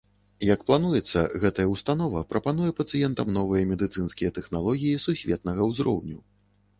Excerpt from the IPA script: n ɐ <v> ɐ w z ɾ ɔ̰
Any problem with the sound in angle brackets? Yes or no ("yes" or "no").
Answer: yes